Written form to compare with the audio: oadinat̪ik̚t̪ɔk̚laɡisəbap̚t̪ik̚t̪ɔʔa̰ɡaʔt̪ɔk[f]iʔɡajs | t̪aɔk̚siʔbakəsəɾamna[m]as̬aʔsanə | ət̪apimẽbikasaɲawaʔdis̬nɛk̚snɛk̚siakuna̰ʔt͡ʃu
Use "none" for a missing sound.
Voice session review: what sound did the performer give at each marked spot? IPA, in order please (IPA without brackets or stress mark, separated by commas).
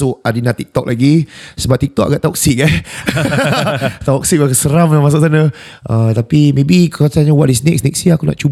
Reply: s, m